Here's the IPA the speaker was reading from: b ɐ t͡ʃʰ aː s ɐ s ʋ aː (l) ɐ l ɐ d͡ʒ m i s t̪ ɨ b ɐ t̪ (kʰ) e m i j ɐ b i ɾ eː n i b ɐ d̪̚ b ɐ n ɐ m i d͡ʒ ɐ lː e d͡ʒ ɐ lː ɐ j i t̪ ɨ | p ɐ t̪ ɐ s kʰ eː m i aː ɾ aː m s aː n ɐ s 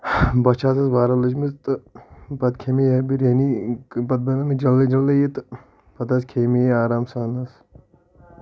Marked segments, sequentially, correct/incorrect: incorrect, correct

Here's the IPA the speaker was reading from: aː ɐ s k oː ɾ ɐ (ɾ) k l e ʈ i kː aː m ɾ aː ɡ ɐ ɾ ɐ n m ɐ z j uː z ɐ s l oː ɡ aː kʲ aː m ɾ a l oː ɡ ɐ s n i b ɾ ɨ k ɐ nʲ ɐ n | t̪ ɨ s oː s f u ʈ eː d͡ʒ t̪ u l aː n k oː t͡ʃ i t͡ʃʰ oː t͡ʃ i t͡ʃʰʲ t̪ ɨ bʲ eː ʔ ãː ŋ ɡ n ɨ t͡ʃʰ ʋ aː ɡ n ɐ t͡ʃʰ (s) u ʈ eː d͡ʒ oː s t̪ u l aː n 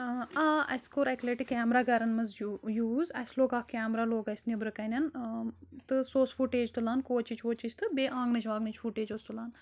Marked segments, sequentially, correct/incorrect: incorrect, incorrect

